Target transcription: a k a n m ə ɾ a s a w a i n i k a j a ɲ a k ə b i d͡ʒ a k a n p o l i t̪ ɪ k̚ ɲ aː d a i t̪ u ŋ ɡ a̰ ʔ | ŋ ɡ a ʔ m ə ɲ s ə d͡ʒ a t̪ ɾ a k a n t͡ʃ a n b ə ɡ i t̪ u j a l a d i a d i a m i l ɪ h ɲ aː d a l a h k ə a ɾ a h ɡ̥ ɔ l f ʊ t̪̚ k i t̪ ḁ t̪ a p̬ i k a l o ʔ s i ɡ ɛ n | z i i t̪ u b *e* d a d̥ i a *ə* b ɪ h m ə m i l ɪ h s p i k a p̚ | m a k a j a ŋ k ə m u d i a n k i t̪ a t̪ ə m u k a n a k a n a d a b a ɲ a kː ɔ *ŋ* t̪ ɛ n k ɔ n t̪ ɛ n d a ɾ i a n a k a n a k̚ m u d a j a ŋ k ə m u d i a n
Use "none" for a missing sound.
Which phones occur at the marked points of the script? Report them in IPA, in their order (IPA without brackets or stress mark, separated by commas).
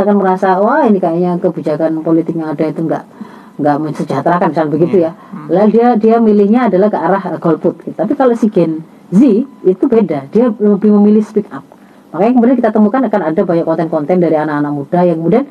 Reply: e, ə, n